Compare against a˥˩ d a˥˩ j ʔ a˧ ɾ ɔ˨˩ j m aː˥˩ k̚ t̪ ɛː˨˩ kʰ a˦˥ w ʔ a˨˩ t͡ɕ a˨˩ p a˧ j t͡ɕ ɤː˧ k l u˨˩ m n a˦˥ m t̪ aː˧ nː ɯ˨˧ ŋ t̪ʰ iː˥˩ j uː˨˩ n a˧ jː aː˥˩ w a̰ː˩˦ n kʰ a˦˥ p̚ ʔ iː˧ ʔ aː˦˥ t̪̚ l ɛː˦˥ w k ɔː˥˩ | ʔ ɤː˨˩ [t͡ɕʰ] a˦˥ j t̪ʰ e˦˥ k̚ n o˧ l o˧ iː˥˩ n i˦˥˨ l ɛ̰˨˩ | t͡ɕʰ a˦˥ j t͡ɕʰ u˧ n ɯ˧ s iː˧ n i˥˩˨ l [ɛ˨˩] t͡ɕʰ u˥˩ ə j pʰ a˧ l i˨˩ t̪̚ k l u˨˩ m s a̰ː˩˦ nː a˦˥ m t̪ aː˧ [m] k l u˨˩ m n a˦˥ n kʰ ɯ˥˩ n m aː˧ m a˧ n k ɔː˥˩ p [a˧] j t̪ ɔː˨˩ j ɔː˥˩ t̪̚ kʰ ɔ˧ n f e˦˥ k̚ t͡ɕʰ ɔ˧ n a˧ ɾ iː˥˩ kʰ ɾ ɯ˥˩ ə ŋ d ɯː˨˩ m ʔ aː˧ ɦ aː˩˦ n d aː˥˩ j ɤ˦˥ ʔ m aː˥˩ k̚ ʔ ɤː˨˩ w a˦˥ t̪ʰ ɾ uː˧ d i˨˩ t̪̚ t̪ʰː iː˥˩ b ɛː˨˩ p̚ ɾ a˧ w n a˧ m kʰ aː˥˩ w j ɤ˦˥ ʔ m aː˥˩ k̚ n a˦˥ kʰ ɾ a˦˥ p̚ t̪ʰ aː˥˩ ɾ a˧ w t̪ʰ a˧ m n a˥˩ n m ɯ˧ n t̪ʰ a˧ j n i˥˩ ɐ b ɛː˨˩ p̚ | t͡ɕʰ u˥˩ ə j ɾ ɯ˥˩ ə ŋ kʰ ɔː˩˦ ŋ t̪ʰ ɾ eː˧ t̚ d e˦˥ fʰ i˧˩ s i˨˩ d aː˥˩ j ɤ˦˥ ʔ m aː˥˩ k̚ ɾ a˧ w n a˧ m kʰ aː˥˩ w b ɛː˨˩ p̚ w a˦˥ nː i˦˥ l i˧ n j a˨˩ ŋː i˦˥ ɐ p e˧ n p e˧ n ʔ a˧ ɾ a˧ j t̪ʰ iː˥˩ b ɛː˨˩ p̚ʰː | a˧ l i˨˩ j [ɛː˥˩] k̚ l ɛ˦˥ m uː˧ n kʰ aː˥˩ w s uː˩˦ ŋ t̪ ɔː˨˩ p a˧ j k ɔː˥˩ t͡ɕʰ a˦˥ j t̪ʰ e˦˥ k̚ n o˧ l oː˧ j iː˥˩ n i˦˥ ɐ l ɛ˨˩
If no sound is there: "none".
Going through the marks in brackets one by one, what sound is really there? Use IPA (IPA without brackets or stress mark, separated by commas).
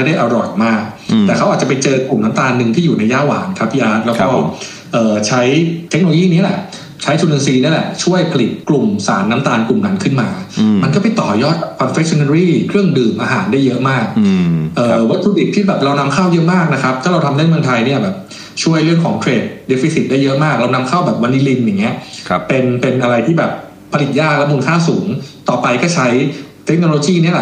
t͡ɕʰ, ɛ˨˩, n, a˨˩, aː˥˩